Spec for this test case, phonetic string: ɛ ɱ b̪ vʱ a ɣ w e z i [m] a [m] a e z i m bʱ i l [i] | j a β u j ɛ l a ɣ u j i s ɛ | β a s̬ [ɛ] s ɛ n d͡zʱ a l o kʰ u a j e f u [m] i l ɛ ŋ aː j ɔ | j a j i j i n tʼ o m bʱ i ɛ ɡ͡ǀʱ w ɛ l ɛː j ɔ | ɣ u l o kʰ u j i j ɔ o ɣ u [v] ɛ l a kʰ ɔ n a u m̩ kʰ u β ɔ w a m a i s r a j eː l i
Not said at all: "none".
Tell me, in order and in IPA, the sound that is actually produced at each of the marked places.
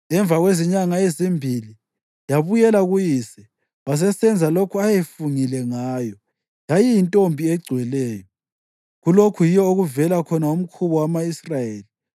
ɲ, ŋ, i, ɛ, ŋ, v

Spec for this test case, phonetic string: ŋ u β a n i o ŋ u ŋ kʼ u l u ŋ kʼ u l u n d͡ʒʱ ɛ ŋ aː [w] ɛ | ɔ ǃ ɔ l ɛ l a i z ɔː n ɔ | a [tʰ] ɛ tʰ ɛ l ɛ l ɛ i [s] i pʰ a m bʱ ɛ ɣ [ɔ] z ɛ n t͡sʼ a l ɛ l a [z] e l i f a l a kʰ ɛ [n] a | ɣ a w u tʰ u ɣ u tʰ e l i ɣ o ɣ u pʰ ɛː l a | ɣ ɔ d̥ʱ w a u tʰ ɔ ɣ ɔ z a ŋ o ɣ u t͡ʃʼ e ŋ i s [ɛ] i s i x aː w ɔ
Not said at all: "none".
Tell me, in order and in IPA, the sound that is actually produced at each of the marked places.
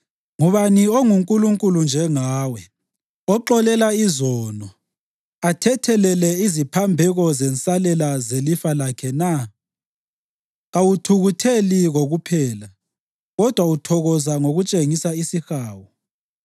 w, tʰ, z, ɔ, z, n, a

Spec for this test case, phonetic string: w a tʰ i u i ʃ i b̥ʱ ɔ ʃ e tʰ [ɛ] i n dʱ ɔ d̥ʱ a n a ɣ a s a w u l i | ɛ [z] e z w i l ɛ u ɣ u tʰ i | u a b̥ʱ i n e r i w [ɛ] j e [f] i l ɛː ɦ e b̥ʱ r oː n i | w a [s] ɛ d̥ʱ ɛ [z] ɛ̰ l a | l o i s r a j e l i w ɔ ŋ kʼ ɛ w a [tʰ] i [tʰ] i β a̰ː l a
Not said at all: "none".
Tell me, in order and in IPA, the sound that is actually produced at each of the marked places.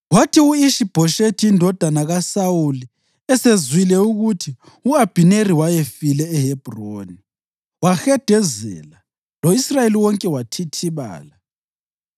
i, s, a, f, x, z, tʰ, tʰ

